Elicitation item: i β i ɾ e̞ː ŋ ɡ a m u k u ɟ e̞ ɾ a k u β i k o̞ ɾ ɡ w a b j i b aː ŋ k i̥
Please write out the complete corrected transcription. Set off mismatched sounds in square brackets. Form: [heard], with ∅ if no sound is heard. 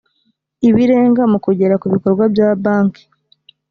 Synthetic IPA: i β i ɾ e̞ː ŋ ɡ a m u k u ɟ e̞ ɾ a k u β i k o̞ ɾ ɡ w a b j [a] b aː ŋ k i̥